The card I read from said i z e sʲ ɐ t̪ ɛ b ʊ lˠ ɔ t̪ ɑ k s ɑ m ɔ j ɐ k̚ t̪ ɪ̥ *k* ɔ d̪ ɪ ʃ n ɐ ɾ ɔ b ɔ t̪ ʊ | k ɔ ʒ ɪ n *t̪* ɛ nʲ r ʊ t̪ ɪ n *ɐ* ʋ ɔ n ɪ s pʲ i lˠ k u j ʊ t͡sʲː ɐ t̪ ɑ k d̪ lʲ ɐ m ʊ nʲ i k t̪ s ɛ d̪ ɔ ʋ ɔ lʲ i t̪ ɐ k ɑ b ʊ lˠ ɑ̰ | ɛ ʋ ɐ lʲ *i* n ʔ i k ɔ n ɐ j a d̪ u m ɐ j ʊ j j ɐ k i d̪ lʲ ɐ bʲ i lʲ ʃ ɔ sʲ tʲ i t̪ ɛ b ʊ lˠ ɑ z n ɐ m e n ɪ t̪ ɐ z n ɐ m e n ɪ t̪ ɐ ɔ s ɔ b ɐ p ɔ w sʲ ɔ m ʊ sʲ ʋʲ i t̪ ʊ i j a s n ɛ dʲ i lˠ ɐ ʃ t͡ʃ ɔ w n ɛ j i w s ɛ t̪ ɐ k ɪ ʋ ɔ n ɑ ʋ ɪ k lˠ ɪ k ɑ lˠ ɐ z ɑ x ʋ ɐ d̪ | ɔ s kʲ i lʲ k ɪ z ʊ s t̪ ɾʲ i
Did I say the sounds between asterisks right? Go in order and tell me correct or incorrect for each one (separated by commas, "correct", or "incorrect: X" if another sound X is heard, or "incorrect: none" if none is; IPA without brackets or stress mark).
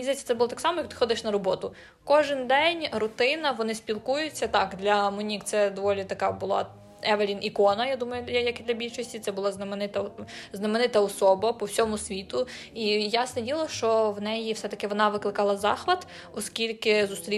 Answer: incorrect: x, incorrect: d̪, correct, correct